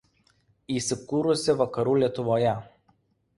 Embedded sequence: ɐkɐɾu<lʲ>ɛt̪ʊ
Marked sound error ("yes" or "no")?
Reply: no